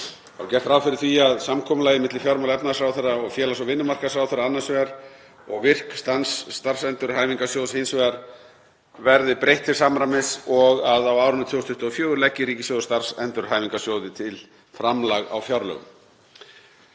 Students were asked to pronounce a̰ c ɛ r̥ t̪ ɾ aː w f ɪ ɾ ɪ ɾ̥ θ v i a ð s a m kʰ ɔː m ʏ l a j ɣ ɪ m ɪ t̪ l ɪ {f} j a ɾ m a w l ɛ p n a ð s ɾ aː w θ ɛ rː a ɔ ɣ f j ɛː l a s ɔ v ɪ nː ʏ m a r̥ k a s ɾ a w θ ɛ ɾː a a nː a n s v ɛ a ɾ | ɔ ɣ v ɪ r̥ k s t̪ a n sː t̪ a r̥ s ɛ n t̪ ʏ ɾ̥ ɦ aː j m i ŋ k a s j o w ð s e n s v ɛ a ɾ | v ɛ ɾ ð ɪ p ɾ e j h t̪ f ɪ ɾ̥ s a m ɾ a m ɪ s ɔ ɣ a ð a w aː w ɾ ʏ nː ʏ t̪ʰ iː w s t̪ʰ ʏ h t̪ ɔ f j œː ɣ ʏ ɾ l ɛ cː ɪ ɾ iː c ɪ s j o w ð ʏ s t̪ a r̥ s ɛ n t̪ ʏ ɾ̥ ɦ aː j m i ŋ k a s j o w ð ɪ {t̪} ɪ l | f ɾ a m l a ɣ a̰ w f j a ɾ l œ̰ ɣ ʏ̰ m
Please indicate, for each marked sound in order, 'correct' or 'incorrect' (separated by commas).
correct, incorrect